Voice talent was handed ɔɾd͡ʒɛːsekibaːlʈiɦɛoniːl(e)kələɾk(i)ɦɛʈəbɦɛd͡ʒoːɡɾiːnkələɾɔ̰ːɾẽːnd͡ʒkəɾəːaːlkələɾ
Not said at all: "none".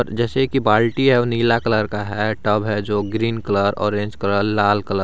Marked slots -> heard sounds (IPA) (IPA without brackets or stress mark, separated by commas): a, a